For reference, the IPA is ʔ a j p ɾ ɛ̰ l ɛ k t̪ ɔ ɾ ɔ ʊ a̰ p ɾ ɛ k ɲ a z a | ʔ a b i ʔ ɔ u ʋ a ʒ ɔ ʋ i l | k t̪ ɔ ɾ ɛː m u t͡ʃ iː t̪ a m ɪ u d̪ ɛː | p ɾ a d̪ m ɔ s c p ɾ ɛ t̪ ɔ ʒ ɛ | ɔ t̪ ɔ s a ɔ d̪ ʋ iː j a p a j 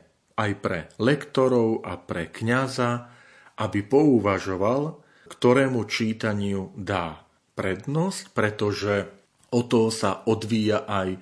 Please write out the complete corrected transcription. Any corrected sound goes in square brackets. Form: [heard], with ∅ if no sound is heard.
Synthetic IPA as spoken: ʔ a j p ɾ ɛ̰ l ɛ k t̪ ɔ ɾ ɔ ʊ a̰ p ɾ ɛ k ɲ a z a | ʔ a b i [p] ɔ u ʋ a ʒ ɔ ʋ [a] l | k t̪ ɔ ɾ ɛː m u t͡ʃ iː t̪ a [ɲ] ɪ u d̪ [aː] | p ɾ [ɛ] d̪ [n] ɔ s c p ɾ ɛ t̪ ɔ ʒ ɛ | ɔ t̪ ɔ s a ɔ d̪ ʋ iː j a [ʔ] a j